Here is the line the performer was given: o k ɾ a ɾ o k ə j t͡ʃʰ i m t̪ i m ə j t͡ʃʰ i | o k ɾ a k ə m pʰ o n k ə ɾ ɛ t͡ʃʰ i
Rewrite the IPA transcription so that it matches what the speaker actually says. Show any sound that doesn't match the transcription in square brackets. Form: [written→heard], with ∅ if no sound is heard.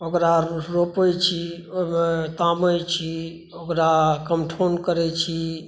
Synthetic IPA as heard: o k ɾ a ɾ o [k→p] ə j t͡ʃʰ i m t̪ [i→a] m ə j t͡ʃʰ i | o k ɾ a k ə m [pʰ→ʈʰ] o n k ə ɾ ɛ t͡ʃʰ i